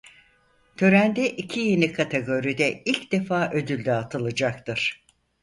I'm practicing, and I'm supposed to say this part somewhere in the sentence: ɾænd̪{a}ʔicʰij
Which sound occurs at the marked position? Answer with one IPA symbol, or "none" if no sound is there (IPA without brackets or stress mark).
ɛ